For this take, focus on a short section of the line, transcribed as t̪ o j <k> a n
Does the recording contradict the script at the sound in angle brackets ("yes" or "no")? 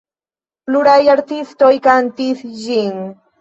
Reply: no